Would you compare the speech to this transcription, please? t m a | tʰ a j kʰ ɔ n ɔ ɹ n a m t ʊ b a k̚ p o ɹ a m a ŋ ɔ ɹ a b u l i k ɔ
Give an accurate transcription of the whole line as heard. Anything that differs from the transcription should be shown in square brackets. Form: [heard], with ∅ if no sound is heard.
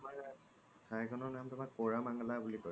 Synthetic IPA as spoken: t m a | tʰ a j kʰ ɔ n ɔ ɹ n a m t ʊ [m] a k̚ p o ɹ a m a ŋ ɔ [l] a b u l i k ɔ